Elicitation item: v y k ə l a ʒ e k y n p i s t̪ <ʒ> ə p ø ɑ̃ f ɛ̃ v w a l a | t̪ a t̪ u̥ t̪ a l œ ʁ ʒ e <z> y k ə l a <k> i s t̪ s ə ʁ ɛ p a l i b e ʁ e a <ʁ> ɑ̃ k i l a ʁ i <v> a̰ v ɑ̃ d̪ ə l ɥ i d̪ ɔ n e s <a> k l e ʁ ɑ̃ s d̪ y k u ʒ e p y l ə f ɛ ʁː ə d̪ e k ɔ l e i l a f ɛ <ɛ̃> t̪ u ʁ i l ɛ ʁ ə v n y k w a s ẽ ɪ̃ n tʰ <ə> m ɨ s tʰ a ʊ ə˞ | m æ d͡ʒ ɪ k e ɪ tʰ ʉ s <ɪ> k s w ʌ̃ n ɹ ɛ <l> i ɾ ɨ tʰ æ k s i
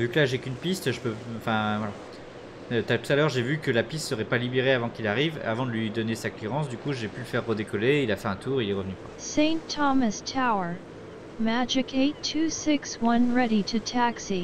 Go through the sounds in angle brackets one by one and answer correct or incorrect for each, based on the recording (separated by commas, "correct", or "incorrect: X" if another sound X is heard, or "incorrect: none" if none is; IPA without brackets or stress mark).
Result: correct, incorrect: v, incorrect: p, incorrect: v, correct, correct, correct, incorrect: ɑ, correct, incorrect: ɾ